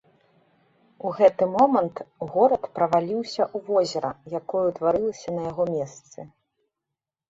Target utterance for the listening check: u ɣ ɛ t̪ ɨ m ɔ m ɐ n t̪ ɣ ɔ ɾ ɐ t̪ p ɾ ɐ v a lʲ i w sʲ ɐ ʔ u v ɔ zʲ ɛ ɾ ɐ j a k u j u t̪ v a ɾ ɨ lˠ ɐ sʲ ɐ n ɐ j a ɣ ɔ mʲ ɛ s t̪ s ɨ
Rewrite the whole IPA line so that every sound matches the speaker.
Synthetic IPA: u ɣ ɛ t̪ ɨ m ɔ m ɐ n t̪ ɣ ɔ ɾ ɐ t̪ p ɾ ɐ v a lʲ i w sʲ ɐ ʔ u v ɔ zʲ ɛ ɾ ɐ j a k ɔ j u t̪ v a ɾ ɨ lˠ ɐ sʲ ɐ n ɐ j a ɣ ɔ mʲ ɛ s t̪ s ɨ